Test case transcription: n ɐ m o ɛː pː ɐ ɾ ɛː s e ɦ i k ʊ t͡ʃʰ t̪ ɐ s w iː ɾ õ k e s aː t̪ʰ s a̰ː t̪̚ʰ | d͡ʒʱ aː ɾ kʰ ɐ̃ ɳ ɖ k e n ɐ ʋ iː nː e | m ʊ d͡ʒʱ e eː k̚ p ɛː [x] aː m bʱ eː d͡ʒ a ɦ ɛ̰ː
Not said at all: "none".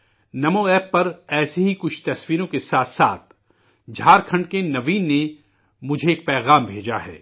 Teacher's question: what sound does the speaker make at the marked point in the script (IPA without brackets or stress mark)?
ɣ